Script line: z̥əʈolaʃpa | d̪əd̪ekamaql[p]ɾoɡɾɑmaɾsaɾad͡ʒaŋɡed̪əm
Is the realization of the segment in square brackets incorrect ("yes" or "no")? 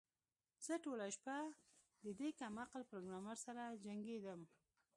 no